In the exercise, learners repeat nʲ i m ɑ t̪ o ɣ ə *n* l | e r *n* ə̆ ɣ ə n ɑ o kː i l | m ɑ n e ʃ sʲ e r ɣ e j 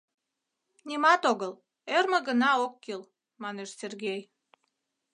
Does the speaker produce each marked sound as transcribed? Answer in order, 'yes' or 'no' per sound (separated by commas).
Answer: no, no